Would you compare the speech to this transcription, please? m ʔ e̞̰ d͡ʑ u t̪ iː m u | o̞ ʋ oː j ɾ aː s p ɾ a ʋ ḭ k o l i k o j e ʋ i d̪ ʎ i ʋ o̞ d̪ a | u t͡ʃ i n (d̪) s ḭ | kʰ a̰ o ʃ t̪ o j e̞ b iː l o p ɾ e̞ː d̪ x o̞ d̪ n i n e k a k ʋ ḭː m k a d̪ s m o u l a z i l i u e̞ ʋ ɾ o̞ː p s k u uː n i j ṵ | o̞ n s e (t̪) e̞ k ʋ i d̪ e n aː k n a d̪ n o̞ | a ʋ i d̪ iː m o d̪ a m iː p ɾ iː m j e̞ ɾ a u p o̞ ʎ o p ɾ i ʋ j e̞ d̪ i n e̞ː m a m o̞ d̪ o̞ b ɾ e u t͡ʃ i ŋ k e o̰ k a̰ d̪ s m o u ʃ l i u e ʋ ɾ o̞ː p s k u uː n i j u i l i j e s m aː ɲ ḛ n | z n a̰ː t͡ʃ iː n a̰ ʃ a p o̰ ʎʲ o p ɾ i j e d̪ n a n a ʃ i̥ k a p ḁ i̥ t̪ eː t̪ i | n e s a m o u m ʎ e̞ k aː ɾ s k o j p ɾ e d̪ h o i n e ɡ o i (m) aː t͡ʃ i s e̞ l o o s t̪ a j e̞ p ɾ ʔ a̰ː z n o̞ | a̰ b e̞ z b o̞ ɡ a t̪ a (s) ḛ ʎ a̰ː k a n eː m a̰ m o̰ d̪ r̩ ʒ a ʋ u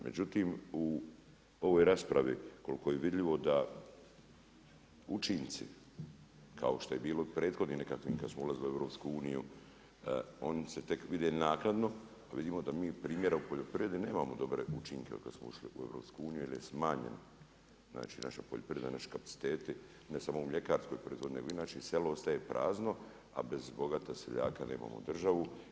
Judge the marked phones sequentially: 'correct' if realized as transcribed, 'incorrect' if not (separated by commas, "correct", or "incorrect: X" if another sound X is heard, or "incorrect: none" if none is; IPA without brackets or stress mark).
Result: incorrect: t̪, correct, incorrect: n, correct